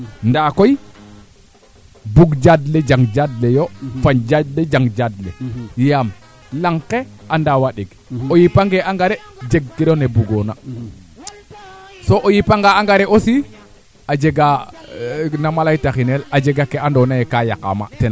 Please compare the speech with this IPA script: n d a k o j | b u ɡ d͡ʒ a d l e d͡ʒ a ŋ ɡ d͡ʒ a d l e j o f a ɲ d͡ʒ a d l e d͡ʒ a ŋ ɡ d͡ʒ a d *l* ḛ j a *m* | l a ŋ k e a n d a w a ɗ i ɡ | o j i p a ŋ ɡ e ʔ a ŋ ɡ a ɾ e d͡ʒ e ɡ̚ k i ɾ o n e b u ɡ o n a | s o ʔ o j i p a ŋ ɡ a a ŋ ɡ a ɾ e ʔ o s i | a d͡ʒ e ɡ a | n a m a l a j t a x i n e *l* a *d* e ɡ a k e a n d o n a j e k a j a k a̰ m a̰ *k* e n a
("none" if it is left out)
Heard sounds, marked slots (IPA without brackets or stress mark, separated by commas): l, m, l, d͡ʒ, t